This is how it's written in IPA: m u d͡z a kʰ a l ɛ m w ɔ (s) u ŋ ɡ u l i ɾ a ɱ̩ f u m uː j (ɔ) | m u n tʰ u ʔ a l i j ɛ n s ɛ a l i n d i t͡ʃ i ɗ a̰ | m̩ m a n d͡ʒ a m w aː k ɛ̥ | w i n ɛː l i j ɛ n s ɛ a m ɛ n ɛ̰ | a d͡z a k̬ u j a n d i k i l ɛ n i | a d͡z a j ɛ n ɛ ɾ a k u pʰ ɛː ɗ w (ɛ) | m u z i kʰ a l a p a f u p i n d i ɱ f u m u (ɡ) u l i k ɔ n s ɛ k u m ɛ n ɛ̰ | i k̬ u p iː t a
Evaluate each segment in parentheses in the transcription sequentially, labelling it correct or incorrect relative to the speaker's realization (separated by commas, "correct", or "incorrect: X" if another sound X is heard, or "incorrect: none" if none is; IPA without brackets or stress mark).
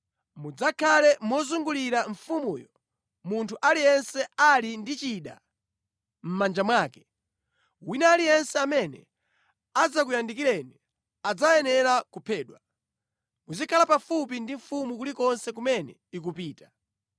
incorrect: z, correct, incorrect: a, incorrect: k